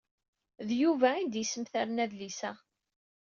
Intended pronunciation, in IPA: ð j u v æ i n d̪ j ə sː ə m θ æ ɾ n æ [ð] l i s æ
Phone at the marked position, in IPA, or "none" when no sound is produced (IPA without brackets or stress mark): ð